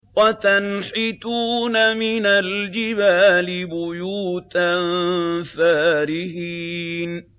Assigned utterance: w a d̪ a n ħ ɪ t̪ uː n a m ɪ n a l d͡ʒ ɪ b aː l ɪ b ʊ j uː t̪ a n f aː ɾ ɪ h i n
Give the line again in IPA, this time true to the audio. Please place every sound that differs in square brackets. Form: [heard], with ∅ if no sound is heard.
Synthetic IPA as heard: w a [t̪] a n ħ ɪ t̪ uː n a m ɪ n a l d͡ʒ ɪ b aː l ɪ b ʊ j uː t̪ a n f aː ɾ ɪ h i n